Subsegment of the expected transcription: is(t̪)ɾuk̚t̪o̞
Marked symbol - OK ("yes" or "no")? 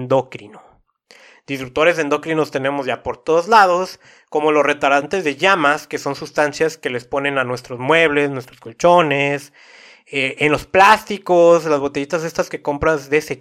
yes